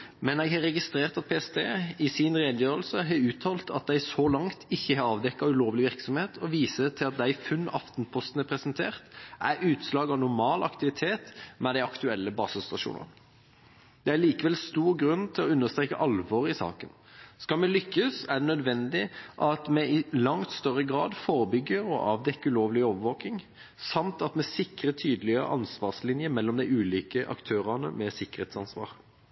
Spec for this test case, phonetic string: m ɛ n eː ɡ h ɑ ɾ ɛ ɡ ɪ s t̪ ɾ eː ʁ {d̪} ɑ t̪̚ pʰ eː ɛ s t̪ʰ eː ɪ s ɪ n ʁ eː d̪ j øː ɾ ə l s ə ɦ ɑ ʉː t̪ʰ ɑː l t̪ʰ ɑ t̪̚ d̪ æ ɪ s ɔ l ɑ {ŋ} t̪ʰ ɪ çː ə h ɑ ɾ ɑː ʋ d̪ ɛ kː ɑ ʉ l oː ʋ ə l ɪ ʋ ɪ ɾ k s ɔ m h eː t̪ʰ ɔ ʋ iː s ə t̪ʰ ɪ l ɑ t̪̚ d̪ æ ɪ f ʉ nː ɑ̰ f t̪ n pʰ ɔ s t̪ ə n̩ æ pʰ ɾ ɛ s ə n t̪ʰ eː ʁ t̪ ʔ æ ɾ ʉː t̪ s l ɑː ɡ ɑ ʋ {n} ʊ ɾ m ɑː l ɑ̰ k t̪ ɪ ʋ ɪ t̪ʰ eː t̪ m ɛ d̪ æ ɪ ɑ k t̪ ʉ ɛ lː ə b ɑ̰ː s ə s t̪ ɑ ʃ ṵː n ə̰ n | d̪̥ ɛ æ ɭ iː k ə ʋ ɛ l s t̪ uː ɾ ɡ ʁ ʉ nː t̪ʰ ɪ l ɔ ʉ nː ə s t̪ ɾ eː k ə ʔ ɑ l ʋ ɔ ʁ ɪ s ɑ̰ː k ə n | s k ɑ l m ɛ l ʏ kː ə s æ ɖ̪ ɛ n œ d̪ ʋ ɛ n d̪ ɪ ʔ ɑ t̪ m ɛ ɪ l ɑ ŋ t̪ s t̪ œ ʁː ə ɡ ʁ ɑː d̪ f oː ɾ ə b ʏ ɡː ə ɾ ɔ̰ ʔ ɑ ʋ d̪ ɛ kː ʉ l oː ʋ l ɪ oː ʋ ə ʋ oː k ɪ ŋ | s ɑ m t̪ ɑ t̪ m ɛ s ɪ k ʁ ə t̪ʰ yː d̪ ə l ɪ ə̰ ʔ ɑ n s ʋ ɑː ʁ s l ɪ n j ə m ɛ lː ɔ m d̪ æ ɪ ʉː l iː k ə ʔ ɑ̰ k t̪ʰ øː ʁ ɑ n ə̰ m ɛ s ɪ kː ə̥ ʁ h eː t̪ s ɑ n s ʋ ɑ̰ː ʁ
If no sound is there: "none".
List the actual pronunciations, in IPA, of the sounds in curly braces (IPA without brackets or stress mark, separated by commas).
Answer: t̪, ŋ, n